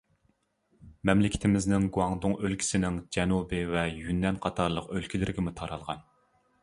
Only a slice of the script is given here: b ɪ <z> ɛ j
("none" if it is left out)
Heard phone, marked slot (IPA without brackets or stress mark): v